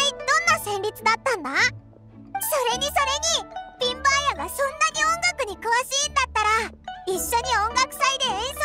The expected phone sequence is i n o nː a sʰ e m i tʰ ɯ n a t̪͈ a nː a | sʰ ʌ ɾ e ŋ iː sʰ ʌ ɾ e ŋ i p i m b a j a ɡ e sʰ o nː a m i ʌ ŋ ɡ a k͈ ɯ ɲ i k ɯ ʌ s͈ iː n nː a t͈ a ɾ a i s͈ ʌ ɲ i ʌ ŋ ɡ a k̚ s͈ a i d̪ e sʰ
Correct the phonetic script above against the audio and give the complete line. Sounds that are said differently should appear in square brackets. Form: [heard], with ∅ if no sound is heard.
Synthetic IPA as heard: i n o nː a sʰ e m i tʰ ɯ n a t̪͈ a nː a | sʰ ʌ ɾ e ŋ [i] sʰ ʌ ɾ e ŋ i p i m b a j a ɡ [a] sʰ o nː a [ɲ] i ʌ ŋ ɡ a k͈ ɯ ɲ i k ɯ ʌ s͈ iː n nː a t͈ a ɾ a i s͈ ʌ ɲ i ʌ ŋ ɡ a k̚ s͈ a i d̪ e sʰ